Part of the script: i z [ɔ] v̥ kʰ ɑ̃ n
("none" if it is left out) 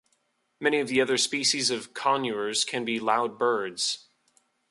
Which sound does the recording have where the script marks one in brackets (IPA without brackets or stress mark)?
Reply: ʌ